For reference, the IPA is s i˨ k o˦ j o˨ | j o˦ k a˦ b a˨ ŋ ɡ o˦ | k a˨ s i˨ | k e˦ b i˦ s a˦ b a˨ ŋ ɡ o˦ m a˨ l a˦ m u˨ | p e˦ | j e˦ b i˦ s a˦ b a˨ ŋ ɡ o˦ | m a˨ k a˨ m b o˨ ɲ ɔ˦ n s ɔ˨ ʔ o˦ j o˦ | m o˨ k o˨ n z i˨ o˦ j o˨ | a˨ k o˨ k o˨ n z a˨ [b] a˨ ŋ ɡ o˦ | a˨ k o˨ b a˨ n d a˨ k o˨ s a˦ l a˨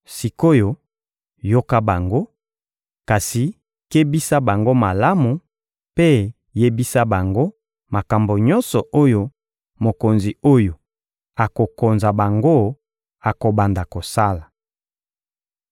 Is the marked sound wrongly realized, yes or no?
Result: no